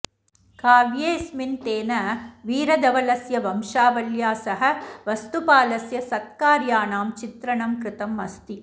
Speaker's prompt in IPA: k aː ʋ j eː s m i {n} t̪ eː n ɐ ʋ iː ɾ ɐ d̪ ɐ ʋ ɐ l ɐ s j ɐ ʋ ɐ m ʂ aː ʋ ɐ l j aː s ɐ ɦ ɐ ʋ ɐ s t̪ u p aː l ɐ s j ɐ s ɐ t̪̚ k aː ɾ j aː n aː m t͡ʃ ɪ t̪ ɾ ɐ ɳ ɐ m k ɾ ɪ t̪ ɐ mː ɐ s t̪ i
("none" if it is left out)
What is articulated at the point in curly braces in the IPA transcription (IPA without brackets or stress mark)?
n